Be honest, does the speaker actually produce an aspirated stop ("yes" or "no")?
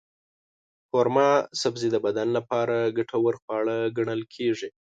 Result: yes